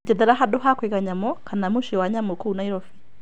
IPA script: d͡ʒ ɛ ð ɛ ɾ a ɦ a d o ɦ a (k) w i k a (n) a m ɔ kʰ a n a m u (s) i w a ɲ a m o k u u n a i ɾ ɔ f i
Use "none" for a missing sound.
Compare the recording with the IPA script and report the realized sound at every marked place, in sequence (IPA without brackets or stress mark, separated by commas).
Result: k, ɲ, ʃ